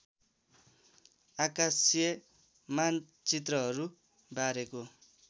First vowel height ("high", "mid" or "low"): low